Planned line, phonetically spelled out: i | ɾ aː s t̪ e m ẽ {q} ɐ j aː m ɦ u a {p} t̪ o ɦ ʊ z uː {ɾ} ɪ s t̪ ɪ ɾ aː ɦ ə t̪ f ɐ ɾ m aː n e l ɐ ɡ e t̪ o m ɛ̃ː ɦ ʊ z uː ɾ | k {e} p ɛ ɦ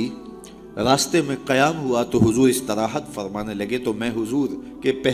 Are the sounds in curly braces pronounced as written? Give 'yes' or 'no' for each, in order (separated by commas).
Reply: yes, no, yes, yes